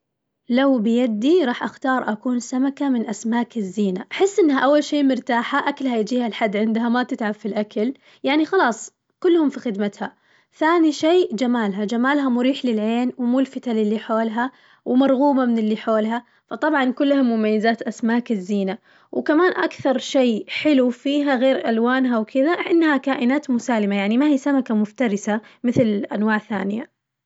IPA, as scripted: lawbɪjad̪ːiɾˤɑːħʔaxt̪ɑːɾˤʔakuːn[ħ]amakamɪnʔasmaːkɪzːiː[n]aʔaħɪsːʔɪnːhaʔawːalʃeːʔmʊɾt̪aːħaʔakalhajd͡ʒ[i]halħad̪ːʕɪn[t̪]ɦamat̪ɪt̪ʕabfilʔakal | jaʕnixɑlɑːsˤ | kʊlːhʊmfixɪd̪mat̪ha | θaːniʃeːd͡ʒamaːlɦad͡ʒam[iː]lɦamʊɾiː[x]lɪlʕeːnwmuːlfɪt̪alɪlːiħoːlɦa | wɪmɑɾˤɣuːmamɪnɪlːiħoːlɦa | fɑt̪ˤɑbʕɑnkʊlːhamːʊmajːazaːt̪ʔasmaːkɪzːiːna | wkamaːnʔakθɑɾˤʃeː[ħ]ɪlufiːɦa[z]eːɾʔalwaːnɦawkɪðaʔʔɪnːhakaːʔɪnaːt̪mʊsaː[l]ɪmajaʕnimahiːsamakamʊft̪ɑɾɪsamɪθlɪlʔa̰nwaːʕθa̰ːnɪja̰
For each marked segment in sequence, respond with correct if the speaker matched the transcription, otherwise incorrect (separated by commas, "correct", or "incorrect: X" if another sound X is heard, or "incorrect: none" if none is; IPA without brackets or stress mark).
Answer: incorrect: s, correct, incorrect: iː, incorrect: d̪, incorrect: aː, incorrect: ħ, correct, incorrect: ɣ, correct